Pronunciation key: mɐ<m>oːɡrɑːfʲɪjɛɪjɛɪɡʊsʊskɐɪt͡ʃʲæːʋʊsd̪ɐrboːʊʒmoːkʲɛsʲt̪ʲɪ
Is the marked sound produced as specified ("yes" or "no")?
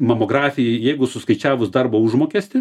yes